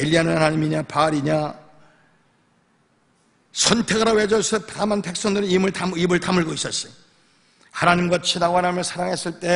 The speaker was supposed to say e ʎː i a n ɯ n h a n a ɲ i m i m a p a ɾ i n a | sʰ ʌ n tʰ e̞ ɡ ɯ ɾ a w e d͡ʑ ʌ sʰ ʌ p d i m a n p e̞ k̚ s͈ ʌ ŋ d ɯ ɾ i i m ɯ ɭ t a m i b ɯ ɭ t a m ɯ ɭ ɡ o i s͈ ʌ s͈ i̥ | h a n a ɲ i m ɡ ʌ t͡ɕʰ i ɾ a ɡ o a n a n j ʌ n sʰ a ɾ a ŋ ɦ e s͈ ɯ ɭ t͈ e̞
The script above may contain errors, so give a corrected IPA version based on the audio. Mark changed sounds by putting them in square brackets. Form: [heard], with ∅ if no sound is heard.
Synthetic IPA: e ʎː i a n ɯ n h a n a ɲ i m i [ɲ] a p a ɾ i [ɲ] a | sʰ ʌ n tʰ e̞ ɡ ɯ ɾ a w e d͡ʑ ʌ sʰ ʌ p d [a] m a n p e̞ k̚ s͈ ʌ ŋ d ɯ ɾ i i m ɯ ɭ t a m i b ɯ ɭ t a m ɯ ɭ ɡ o i s͈ ʌ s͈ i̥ | h a n a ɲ i m ɡ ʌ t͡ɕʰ i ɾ a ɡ o a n a [m] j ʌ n sʰ a ɾ a ŋ ɦ e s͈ ɯ ɭ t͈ e̞